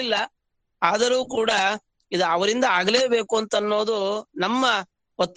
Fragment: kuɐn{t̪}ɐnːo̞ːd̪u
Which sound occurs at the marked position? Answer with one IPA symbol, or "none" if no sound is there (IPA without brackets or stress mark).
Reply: t̪